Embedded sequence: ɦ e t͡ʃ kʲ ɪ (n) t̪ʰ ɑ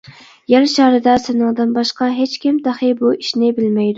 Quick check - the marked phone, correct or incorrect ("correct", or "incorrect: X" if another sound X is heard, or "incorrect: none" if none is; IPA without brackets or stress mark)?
incorrect: m